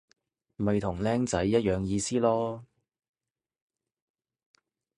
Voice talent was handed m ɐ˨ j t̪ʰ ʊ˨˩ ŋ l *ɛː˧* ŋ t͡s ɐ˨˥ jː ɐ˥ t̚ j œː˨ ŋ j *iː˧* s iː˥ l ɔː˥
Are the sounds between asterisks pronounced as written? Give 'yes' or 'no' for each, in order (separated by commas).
no, yes